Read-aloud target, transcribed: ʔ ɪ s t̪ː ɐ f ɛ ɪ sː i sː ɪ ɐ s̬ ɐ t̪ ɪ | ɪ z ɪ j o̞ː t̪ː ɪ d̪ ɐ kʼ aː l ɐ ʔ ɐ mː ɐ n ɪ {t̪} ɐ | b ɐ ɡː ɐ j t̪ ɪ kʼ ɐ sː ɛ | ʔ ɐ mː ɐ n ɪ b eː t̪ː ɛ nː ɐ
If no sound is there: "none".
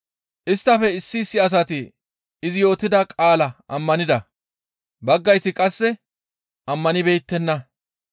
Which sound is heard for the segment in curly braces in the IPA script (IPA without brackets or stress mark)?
d̪